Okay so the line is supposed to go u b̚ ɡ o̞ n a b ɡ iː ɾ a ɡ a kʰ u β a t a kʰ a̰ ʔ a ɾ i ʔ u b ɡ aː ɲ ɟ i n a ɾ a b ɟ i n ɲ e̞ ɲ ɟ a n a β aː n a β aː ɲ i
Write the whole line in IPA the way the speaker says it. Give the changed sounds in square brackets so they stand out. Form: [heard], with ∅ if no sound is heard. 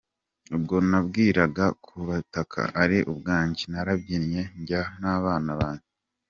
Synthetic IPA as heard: u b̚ ɡ o̞ n a b ɡ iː ɾ a ɡ a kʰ u β a t a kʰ a̰ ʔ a ɾ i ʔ u b ɡ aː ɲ ɟ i n a ɾ a b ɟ i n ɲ e̞ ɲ ɟ a n a β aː n a β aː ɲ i